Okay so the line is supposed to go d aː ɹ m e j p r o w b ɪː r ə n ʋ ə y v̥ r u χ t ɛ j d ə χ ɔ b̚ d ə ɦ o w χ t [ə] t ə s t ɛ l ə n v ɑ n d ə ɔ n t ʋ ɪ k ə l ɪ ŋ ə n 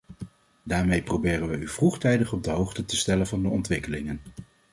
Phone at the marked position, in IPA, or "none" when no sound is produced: ə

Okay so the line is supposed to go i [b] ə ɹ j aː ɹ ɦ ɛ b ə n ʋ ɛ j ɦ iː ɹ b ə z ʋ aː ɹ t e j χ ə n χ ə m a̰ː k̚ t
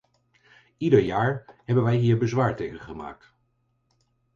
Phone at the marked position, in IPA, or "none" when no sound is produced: d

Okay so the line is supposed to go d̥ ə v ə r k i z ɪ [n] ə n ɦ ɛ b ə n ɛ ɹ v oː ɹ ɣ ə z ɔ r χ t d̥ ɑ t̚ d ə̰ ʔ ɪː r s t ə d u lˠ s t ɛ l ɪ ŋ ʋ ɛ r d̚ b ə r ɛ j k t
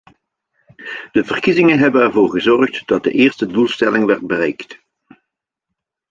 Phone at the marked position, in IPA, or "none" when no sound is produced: ŋ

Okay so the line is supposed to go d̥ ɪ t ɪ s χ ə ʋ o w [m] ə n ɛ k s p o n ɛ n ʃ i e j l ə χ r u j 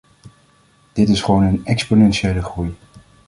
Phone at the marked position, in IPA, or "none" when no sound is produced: n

